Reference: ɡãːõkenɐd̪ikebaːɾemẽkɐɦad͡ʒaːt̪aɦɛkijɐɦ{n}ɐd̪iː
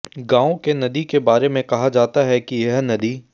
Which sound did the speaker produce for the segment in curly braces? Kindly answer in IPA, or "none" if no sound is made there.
n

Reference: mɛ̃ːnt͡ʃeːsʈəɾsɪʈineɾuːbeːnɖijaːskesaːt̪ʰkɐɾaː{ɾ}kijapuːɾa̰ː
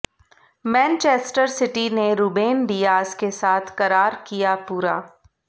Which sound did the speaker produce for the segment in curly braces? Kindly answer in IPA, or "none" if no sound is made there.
ɾ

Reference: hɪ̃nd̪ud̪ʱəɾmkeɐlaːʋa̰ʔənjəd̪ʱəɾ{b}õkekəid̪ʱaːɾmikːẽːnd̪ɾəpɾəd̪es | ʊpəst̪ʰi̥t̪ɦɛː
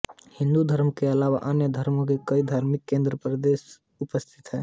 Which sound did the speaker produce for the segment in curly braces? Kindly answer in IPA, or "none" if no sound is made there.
m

